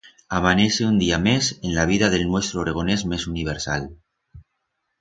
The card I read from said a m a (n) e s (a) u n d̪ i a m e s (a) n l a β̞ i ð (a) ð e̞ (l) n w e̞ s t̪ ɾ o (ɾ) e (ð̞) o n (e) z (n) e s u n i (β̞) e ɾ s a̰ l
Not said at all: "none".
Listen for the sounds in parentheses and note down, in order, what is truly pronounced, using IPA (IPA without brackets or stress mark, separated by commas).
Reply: n, e, e, a, l, ɾ, ɣ̞, e, m, β̞